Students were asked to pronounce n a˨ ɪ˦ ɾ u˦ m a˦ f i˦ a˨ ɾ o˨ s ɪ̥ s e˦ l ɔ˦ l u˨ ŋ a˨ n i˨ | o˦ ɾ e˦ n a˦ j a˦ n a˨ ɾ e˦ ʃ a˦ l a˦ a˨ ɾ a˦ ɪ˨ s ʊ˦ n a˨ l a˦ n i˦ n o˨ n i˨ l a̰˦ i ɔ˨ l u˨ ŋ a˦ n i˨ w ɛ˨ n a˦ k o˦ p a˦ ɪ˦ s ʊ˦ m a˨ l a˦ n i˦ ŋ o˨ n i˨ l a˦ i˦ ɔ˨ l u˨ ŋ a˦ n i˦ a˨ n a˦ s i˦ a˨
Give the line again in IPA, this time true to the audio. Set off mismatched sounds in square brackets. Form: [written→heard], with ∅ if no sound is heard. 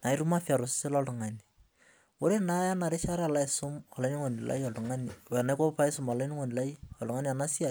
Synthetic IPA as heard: n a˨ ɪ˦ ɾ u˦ m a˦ f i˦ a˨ ɾ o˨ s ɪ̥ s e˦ l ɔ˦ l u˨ ŋ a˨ n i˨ | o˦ ɾ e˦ n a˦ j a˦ n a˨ ɾ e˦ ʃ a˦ [l→ɾ] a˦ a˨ [ɾ→l] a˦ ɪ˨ s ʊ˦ [n→m] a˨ l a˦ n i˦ [n→ŋ] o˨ n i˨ l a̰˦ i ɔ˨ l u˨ ŋ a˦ n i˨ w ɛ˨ n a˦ k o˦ p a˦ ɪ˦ s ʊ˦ m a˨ l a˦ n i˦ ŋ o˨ n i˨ l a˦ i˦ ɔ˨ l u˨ ŋ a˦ n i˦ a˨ n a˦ s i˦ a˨

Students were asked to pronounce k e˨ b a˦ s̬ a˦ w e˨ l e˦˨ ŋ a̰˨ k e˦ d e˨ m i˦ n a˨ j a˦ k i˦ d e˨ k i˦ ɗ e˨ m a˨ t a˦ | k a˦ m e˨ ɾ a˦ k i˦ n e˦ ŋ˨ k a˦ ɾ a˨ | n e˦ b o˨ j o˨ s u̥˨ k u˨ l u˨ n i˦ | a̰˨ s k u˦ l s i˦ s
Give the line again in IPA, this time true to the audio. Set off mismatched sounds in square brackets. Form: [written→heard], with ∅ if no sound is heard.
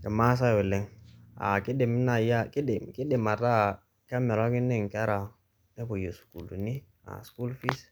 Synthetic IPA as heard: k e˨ [b→m] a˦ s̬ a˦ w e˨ l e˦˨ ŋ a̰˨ k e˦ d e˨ m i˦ n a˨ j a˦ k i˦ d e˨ k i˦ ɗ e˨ m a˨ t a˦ | k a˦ m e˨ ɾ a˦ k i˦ n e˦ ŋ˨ k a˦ ɾ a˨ | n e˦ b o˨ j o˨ s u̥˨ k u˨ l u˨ n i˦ | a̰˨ s k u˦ l [s→f] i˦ s

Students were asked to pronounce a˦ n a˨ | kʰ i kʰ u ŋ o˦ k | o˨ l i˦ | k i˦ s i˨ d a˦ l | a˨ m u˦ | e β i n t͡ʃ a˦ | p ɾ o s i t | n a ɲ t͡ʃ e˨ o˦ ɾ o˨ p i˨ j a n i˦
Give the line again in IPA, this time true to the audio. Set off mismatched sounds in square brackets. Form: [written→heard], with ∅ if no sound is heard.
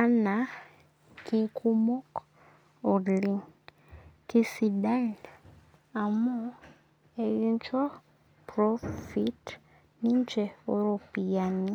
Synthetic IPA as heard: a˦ n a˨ | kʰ i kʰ u [ŋ→m] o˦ k | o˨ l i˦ | k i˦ s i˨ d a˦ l | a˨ m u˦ | e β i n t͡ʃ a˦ | p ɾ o [s→f] i t | n [a→i] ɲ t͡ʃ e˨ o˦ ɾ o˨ p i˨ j a n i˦

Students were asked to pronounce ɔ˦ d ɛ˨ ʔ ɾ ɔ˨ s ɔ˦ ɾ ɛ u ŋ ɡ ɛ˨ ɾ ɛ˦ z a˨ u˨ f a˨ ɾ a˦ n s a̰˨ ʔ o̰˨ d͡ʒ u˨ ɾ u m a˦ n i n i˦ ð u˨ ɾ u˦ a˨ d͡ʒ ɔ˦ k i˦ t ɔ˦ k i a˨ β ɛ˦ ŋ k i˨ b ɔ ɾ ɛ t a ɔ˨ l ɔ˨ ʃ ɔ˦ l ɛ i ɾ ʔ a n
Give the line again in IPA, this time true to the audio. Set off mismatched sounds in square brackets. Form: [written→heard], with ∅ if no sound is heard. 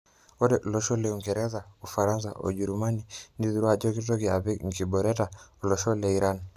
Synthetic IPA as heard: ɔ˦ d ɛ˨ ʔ [ɾ→l] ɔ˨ [s→ʃ] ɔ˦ [ɾ→l] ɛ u ŋ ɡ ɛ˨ ɾ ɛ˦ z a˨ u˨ f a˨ ɾ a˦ n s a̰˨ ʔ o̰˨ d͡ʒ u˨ ɾ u m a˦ n i n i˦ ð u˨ ɾ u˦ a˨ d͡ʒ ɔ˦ k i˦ t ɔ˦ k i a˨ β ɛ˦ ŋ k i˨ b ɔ ɾ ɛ t a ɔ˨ l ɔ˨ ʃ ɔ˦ l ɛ i ɾ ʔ a n

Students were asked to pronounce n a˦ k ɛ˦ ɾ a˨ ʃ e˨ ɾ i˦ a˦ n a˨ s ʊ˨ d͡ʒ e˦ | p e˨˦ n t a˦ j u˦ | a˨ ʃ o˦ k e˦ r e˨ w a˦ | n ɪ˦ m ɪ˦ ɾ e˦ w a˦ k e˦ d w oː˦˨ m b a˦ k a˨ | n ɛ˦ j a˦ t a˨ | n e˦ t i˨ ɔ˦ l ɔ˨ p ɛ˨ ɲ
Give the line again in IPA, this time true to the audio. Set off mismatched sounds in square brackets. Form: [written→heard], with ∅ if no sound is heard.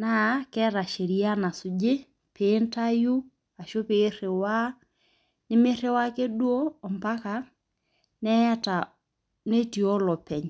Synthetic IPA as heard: n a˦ k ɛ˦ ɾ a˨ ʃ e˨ ɾ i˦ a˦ n a˨ s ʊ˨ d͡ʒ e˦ | p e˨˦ n t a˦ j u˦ | a˨ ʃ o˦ [k→p] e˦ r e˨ w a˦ | n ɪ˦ m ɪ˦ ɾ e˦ w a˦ k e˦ d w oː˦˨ m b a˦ k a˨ | n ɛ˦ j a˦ t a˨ | n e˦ t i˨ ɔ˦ l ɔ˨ p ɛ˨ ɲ

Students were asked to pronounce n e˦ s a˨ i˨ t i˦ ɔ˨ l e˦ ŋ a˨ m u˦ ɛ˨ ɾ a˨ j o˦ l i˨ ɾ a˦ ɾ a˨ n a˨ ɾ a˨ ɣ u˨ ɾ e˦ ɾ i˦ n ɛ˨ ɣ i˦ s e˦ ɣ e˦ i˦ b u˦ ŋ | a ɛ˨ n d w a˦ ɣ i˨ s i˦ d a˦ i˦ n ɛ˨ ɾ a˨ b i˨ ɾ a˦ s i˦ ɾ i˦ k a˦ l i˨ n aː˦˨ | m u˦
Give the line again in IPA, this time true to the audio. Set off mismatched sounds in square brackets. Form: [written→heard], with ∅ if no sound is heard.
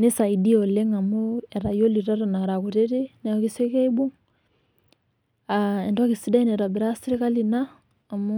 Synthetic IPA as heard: n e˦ s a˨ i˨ [t→d] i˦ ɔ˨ l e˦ ŋ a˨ m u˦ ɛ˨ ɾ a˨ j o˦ l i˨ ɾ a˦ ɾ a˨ n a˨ ɾ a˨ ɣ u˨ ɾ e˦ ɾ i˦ n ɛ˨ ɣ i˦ s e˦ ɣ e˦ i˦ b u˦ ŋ | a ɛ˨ n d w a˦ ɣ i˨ s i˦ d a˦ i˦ n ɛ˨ ɾ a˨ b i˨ ɾ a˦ s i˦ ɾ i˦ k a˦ l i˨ n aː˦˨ | m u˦

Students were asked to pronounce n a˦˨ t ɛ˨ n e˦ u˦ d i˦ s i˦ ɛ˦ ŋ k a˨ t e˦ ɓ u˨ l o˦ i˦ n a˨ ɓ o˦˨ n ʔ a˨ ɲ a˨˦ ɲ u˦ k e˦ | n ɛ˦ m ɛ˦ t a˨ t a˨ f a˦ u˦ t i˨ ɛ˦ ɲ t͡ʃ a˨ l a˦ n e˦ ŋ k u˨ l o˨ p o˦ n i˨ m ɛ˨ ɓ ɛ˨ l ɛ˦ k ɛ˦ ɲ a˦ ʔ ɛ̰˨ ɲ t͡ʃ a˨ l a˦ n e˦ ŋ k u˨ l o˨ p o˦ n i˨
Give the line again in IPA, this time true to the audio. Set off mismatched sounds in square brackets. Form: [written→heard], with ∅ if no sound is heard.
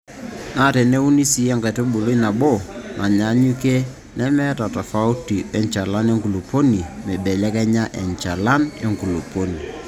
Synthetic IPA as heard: n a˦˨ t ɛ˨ n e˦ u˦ [d→n] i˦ s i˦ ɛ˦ ŋ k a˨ t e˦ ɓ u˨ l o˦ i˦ n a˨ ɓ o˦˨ n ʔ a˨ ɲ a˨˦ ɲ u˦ k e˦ | n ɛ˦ m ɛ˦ t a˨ t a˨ f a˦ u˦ t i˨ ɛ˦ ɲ t͡ʃ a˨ l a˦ n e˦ ŋ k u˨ l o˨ p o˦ n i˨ m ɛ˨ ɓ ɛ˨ l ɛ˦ k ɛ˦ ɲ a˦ ʔ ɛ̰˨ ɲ t͡ʃ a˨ l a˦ n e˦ ŋ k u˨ l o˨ p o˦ n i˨

